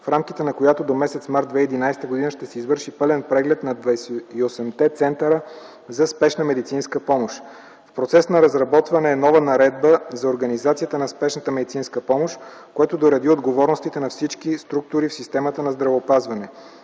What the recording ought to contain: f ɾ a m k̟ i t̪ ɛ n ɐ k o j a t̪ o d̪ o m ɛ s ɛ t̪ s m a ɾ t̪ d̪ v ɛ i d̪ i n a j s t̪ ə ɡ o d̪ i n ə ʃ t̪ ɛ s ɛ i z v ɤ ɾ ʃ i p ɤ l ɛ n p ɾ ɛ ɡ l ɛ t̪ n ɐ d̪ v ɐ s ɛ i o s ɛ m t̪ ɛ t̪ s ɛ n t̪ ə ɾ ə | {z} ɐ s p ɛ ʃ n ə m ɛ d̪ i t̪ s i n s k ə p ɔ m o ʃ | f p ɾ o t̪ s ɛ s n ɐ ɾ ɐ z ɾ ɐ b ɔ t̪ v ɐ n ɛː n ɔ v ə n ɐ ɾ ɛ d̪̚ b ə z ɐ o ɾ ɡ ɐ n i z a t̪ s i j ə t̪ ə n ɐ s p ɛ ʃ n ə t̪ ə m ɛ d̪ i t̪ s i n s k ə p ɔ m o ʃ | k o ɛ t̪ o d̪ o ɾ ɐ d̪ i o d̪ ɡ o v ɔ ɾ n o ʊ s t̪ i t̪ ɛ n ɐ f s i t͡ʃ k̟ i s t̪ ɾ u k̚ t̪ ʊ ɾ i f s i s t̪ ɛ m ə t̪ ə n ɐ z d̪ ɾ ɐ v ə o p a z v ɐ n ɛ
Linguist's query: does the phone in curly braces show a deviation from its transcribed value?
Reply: no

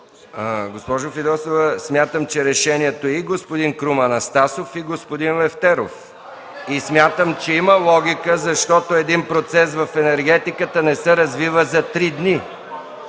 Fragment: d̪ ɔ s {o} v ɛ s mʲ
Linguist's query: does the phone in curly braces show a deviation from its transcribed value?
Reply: no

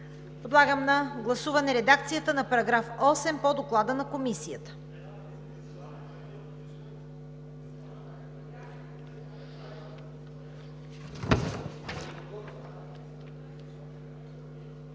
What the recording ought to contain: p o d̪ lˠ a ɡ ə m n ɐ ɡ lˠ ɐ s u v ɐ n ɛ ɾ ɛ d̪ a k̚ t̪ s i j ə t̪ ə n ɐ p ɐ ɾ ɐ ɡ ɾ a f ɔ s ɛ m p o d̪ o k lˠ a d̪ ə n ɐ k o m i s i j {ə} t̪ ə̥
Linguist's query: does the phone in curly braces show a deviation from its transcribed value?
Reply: no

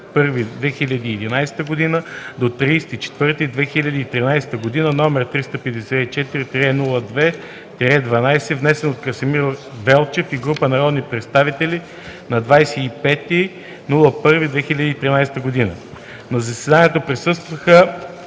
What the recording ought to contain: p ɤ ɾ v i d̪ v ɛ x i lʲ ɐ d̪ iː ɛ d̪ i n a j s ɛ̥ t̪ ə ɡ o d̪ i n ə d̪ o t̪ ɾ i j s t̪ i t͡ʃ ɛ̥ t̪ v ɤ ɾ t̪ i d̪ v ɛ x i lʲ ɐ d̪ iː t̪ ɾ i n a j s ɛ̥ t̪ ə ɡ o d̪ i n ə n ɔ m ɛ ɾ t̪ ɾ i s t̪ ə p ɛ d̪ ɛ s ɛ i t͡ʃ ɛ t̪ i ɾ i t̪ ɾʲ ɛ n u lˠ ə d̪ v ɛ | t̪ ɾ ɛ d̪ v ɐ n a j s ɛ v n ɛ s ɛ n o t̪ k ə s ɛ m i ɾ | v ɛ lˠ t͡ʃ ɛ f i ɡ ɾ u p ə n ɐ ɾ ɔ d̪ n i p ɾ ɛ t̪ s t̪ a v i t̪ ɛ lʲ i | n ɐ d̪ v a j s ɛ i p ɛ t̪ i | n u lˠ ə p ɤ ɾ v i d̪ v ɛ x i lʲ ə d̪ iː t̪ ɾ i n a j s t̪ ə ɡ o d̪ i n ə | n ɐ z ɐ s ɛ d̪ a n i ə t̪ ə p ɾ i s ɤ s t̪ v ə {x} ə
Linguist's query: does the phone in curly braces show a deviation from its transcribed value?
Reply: no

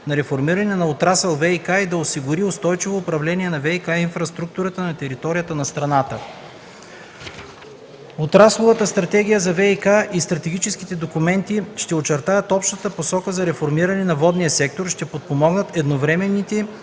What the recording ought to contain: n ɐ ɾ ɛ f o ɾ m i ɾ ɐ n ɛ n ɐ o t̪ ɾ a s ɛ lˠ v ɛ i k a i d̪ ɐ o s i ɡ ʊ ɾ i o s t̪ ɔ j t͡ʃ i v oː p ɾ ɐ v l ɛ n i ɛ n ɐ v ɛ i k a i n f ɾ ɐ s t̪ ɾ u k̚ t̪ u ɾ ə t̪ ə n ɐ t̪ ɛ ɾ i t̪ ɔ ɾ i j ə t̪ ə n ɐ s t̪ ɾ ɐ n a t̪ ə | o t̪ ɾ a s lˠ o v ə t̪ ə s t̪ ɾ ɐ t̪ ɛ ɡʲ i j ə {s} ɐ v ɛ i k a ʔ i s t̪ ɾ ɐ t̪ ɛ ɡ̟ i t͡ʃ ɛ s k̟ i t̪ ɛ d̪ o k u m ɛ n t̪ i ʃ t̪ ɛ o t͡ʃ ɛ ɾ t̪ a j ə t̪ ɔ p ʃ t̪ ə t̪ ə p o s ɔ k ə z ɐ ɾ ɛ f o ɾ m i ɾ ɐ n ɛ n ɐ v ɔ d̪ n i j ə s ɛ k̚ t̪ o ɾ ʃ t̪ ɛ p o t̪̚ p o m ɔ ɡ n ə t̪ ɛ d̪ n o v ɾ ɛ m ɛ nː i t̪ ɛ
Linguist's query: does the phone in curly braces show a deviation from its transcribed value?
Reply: yes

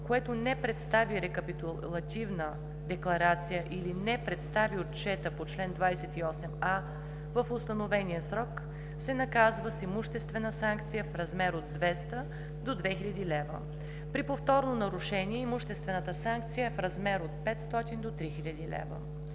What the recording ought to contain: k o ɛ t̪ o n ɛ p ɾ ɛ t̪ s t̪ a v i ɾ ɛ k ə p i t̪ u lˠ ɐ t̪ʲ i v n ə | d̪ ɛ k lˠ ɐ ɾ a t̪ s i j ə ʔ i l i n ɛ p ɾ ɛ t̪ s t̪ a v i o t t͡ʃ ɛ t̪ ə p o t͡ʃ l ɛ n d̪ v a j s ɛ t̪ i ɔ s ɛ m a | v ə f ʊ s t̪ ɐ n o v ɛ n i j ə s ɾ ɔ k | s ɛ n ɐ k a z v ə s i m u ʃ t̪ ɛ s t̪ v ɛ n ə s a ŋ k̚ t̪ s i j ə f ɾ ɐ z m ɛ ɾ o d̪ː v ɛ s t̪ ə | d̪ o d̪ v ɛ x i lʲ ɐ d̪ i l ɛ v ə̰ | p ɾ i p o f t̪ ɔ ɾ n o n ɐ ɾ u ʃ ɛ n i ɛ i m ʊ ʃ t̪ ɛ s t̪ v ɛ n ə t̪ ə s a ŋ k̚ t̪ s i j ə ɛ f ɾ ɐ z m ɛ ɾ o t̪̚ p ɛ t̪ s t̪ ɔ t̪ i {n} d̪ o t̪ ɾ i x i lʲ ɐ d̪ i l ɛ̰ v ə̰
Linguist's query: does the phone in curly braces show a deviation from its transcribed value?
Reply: no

